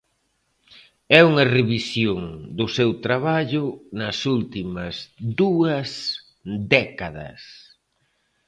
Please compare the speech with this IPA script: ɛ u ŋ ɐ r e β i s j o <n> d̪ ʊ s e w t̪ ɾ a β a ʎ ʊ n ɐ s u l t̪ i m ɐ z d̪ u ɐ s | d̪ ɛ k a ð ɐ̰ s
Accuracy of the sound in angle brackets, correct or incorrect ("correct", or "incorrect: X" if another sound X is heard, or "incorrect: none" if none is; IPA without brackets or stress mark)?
incorrect: ŋ